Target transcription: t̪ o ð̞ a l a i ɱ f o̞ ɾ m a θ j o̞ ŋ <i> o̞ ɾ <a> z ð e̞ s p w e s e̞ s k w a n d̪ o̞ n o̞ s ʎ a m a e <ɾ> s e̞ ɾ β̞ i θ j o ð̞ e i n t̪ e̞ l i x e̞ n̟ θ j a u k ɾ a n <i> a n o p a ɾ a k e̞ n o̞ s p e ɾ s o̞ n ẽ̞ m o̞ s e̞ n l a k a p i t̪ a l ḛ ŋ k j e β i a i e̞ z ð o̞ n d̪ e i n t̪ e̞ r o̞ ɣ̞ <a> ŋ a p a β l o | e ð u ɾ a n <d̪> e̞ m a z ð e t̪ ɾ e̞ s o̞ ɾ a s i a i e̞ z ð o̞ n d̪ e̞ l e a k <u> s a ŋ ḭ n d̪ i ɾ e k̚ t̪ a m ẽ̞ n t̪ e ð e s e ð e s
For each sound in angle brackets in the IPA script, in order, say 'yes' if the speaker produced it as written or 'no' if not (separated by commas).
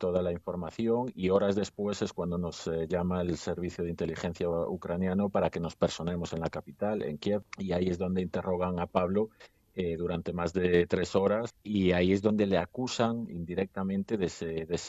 yes, yes, no, no, yes, no, yes